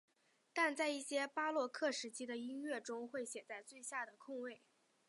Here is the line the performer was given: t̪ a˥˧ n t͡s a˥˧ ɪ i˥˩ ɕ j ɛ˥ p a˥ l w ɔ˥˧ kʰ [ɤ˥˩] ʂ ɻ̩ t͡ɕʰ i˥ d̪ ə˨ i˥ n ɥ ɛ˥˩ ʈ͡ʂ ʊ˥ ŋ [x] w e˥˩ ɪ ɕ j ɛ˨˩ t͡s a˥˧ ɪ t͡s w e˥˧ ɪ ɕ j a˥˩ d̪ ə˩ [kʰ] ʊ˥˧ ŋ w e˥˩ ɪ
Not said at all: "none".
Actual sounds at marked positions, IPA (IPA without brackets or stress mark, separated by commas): ɤ˥˩, x, kʰ